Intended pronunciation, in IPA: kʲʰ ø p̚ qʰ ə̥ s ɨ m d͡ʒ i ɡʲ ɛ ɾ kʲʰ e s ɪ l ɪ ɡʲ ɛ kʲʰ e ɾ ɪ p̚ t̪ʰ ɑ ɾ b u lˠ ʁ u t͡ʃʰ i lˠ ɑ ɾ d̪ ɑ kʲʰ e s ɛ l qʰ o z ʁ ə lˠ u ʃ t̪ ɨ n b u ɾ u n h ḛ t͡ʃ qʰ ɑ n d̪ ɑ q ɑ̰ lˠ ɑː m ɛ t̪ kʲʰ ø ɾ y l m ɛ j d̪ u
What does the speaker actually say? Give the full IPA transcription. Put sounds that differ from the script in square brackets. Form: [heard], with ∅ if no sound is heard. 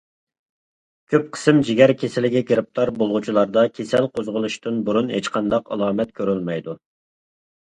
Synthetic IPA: kʲʰ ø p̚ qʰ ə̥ s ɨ m d͡ʒ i ɡʲ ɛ ɾ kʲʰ e s ɪ l ɪ ɡʲ ɛ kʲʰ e ɾ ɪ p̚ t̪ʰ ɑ ɾ b [o] lˠ ʁ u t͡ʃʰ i lˠ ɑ ɾ d̪ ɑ kʲʰ e s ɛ l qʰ o z ʁ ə lˠ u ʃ t̪ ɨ n b u ɾ u n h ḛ t͡ʃ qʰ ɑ n d̪ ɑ q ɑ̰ lˠ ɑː m ɛ t̪ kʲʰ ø ɾ y l m ɛ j d̪ u